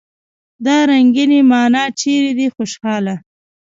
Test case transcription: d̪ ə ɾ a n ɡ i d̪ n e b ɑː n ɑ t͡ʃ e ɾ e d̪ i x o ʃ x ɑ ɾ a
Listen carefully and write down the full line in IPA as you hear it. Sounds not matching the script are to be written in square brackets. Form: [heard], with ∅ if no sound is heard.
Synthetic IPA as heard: d̪ [ɑ] ɾ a [ŋ] ɡ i [∅] n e [m] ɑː n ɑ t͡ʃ e ɾ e d̪ i x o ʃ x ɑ [l] a